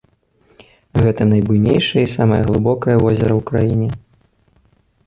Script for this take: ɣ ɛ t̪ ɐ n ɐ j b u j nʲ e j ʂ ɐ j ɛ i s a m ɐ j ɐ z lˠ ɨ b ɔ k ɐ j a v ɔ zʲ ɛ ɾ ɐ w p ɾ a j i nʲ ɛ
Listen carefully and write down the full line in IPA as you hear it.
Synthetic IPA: ɣ ɛ t̪ ɐ n ɐ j b u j nʲ e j ʂ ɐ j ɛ i s a m ɐ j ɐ ɣ lˠ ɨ b ɔ k ɐ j ɐ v ɔ zʲ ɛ ɾ ɐ w k ɾ a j i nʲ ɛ